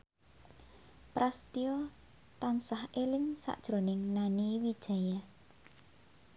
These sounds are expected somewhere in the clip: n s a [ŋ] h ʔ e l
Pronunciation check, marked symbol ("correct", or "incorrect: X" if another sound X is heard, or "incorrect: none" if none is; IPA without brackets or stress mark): incorrect: none